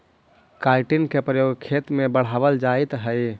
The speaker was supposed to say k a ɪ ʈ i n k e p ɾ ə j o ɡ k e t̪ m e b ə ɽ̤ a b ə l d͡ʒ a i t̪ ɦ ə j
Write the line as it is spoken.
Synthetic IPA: k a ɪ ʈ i n k e p ɾ ə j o ɡ kʰ e t̪ m e b ə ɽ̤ a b ə l d͡ʒ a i t̪ ɦ ə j